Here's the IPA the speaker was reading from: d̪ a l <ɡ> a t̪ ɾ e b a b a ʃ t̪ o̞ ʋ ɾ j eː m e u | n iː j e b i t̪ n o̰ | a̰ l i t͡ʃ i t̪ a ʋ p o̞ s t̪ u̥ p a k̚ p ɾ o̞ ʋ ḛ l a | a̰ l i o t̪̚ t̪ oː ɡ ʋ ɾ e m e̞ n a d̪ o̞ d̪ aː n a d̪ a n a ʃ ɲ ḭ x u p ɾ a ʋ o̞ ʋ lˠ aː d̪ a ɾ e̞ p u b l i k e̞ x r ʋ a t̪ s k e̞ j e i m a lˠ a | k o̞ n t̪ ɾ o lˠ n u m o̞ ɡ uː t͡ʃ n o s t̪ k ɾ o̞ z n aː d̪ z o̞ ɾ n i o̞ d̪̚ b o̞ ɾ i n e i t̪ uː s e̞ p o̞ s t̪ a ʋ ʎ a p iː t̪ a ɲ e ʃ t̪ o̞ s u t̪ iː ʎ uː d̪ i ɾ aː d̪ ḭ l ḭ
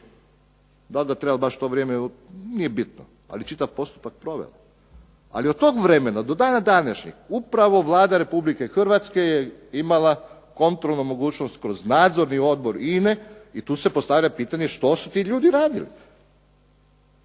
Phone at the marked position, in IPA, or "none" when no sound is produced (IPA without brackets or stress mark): ɡ